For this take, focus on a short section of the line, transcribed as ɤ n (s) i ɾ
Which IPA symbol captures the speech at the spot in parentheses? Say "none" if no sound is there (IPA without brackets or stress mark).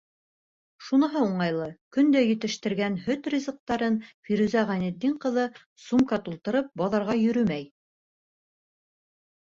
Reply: f